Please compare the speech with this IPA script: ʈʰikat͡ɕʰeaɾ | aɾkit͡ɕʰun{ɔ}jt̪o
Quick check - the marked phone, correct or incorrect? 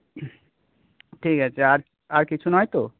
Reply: correct